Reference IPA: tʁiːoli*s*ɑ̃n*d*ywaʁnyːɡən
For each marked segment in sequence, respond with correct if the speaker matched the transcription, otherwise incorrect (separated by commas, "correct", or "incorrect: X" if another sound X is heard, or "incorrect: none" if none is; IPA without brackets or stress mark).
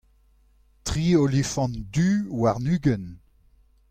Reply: incorrect: f, correct